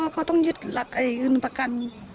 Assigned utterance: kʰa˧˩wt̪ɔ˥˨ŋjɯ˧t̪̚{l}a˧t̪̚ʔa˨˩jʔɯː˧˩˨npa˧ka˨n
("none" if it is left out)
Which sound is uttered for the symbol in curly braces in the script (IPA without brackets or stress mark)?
l